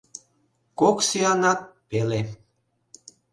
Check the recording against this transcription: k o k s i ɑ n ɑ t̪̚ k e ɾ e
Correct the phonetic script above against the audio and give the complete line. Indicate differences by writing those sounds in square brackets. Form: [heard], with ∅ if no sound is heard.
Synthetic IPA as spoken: k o k s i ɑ n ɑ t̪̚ [p] e [l] e